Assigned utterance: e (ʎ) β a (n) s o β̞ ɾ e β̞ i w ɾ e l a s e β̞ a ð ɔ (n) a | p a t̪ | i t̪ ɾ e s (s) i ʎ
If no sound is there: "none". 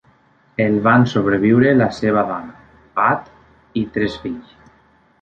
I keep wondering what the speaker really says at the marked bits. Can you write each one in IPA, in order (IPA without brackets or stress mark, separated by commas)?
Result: l, n, n, f